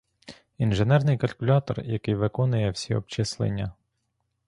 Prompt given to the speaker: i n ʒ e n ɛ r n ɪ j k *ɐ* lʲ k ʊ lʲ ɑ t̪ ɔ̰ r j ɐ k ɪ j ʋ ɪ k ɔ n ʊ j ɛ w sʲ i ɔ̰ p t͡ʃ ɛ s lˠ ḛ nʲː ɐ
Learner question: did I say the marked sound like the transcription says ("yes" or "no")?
yes